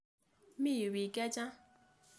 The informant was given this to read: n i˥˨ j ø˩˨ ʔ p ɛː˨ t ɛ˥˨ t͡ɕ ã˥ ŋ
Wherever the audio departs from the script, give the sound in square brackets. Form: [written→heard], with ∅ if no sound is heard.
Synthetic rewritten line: [n→m] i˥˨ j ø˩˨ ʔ p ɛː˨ [t→k] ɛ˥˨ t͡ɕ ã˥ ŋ